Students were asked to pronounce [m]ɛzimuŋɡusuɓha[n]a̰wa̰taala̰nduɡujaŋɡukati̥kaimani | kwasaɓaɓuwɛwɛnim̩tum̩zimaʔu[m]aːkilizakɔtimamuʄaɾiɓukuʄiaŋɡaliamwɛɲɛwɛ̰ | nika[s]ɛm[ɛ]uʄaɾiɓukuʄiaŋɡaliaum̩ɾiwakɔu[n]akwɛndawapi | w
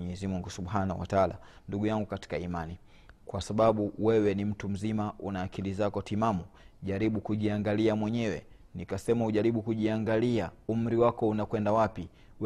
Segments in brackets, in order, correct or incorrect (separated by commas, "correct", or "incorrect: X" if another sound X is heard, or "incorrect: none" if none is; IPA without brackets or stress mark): incorrect: ɲ, correct, incorrect: n, correct, incorrect: a, correct